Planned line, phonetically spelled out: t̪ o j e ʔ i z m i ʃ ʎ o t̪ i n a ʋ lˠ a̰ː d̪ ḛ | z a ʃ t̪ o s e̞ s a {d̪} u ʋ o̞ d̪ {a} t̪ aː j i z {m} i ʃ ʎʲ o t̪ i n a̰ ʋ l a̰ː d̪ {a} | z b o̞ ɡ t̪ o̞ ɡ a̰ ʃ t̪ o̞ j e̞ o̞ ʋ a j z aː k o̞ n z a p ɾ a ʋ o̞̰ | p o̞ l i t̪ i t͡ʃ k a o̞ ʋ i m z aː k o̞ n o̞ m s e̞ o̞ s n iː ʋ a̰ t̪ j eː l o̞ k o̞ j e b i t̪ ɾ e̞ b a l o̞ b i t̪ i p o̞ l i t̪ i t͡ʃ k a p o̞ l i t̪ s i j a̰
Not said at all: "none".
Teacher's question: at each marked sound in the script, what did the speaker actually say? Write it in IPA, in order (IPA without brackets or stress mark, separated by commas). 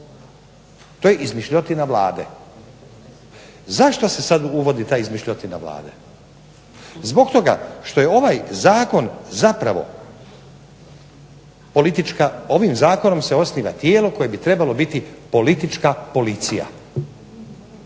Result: d̪, i, m, e